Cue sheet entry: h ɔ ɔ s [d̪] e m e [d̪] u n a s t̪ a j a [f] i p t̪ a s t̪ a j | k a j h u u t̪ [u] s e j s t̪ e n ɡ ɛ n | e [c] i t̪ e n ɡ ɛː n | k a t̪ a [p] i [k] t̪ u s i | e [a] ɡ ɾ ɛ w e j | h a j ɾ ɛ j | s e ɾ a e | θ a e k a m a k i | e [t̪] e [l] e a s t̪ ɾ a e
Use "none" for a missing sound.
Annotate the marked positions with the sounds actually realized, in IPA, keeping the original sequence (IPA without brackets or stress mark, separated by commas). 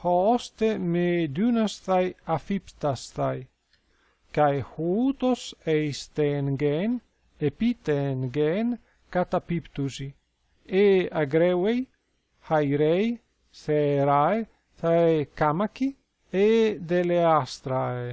t̪, d̪, f, o, p, p, p, a, d̪, l